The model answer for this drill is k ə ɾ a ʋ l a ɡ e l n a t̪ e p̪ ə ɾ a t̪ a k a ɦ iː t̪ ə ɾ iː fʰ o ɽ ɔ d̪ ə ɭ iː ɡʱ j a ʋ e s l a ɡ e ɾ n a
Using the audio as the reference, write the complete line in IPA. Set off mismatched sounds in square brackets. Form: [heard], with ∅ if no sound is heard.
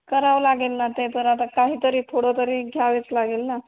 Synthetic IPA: k ə ɾ a ʋ l a ɡ e l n a t̪ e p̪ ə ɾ a t̪ a k a ɦ iː t̪ ə ɾ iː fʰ o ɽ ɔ [t̪] ə [ɾ] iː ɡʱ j a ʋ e [t͡s] l a ɡ e [l] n a